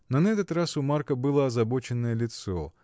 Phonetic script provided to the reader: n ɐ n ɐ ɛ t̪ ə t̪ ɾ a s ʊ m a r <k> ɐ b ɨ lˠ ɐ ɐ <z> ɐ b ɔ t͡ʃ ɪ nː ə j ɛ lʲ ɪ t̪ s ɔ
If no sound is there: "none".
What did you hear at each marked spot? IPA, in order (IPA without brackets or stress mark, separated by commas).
k, z